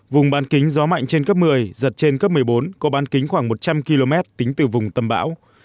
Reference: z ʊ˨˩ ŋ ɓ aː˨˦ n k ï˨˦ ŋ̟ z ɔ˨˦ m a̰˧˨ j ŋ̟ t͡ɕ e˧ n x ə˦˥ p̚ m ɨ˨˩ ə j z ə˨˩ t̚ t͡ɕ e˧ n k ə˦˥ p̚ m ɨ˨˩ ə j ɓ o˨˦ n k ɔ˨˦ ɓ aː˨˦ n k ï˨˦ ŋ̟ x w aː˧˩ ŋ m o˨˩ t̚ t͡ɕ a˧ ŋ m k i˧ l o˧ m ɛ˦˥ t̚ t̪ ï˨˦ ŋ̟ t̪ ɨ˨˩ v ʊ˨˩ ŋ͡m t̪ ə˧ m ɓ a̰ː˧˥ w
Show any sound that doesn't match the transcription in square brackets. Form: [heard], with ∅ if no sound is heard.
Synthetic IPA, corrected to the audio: [v] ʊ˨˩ [ŋ͡m] ɓ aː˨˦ n k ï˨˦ ŋ̟ z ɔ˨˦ m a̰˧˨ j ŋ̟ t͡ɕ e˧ n [k] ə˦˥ p̚ m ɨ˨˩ ə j z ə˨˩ t̚ t͡ɕ e˧ n k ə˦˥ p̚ m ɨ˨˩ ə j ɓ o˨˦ n k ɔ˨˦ ɓ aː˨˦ n k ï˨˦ ŋ̟ x w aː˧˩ ŋ m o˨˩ t̚ t͡ɕ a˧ [∅] m k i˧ l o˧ m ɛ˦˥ t̚ t̪ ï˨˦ ŋ̟ t̪ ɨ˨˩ v ʊ˨˩ ŋ͡m t̪ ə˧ m ɓ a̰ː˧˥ w